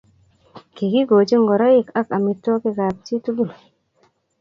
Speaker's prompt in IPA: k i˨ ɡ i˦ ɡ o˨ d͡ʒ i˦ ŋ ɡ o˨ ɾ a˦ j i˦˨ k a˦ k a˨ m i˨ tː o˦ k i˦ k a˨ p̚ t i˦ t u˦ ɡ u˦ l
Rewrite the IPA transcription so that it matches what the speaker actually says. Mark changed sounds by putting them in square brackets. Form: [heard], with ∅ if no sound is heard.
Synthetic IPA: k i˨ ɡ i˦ ɡ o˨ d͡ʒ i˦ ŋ ɡ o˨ ɾ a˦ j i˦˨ k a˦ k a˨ m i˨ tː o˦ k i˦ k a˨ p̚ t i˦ t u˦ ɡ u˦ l